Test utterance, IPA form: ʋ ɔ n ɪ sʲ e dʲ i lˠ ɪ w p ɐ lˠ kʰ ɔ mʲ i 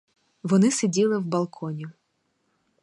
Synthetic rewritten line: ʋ ɔ n ɪ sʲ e dʲ i lˠ ɪ w b ɐ lˠ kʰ ɔ nʲ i